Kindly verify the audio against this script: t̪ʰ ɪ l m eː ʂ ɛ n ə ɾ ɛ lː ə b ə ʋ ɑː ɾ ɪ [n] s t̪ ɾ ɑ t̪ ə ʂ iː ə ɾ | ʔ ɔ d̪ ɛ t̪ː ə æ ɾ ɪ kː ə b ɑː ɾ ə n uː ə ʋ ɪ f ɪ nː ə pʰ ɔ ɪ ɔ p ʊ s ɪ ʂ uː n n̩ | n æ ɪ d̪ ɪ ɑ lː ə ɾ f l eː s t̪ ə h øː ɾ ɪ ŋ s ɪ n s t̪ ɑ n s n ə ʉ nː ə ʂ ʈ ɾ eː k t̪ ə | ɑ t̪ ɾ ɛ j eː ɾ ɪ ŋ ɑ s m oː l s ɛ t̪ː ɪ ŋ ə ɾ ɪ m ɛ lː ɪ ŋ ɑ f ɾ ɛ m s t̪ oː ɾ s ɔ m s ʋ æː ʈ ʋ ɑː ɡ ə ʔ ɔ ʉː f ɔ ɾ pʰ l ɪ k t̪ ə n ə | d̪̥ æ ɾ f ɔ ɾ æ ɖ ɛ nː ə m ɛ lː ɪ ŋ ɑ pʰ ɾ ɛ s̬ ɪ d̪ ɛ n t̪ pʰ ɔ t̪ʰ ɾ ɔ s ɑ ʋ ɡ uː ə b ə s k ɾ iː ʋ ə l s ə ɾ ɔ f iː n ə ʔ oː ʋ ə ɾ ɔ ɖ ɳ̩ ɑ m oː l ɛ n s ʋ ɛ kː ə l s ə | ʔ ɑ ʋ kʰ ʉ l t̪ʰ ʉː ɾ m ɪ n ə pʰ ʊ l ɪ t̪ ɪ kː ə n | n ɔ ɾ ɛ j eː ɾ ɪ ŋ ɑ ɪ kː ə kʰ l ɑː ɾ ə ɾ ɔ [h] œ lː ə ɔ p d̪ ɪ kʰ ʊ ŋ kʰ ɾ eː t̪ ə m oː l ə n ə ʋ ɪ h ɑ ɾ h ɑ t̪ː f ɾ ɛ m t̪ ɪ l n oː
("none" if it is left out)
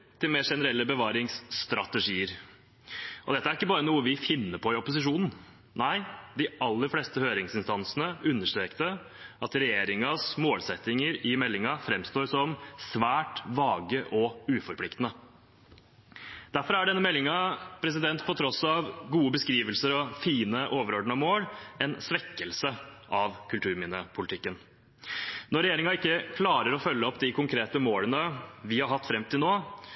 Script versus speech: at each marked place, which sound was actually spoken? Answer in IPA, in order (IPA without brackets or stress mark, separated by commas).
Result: ŋ, f